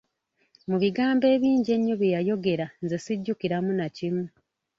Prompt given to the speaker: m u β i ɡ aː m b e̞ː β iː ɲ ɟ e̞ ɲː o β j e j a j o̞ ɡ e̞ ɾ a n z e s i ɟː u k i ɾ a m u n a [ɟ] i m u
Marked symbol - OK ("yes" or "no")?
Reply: no